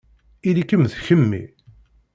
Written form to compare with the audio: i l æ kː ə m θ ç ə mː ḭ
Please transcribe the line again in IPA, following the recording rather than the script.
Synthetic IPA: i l i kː ə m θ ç ə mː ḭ

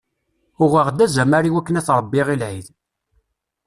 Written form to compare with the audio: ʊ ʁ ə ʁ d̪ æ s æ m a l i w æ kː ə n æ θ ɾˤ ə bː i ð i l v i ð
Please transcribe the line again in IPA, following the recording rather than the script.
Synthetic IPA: ʊ ʁ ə ʁ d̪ æ z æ m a ɾ i w æ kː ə n æ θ ɾˤ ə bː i ʁ i l ʕ i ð

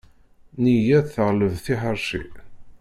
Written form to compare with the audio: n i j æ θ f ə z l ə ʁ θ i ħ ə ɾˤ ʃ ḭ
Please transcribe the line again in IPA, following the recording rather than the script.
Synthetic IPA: n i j æ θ θ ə ʁ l ə v θ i ħ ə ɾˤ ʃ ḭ

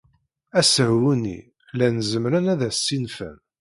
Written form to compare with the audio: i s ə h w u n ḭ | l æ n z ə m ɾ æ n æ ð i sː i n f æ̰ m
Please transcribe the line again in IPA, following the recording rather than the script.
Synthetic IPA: æ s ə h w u n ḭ | l æ n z ə m ɾ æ n æ ð æ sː i n f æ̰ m

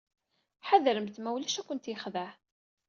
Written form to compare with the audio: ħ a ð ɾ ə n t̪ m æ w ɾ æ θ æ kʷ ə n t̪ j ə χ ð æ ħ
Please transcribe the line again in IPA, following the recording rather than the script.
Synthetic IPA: ħ a ð ɾ ə m t̪ m æ w l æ ʃ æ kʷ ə n t̪ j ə χ ð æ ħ

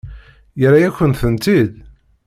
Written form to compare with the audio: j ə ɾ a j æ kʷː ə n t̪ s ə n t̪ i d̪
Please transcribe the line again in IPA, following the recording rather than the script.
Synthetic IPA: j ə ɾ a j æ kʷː ə n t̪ θ ə n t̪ i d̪

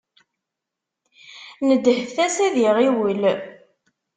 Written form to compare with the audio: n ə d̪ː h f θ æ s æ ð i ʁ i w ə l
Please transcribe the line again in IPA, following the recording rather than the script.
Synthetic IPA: n ə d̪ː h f θ æ s æ ð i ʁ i w ə l

